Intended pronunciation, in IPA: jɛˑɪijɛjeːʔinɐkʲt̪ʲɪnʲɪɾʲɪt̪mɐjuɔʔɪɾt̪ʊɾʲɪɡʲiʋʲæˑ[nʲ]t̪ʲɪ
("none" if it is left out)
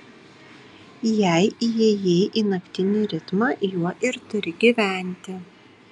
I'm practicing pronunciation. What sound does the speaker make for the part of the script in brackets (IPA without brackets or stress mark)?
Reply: nʲ